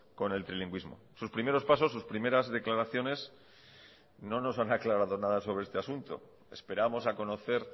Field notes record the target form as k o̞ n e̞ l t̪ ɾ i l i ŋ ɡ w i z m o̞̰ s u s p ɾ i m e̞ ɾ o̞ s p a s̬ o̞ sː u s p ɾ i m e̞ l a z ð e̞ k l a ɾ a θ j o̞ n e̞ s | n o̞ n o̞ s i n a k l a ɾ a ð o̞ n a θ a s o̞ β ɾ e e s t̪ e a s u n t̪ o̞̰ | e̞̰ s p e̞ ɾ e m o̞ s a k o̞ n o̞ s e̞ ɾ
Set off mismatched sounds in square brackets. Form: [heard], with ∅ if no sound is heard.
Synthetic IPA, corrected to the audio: k o̞ n e̞ l t̪ ɾ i l i ŋ ɡ w i z m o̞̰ s u s p ɾ i m e̞ ɾ o̞ s p a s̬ o̞ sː u s p ɾ i m e̞ [ɾ] a z ð e̞ k l a ɾ a θ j o̞ n e̞ s | n o̞ n o̞ s [a] n a k l a ɾ a ð o̞ n a [ð] a s o̞ β ɾ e e s t̪ e a s u n t̪ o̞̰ | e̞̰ s p e̞ ɾ [a] m o̞ s a k o̞ n o̞ [θ] e̞ ɾ